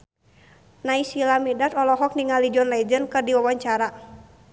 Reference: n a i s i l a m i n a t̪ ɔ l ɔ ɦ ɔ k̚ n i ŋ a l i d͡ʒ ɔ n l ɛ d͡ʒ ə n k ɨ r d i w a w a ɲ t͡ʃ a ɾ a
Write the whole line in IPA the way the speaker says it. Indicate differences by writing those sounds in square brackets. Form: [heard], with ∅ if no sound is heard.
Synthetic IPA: n a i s i l a m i [d] a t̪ ɔ l ɔ ɦ ɔ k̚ n i ŋ a l i d͡ʒ ɔ n l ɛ d͡ʒ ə n k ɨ r d i w a w a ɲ t͡ʃ a ɾ a